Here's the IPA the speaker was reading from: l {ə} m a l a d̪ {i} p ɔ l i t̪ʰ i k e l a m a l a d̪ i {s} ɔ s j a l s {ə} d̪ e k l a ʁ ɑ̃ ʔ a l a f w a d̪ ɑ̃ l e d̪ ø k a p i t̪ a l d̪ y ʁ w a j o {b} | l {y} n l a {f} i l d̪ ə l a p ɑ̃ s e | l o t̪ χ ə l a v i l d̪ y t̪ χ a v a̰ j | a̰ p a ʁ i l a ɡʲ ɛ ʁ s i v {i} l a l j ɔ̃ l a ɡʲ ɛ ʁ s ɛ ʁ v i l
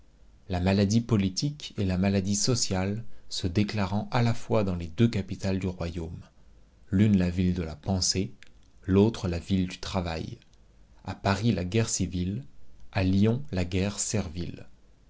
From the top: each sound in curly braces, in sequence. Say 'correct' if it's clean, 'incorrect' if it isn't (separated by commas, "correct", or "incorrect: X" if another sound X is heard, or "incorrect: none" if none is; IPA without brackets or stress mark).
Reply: incorrect: a, correct, correct, correct, incorrect: m, correct, incorrect: v, correct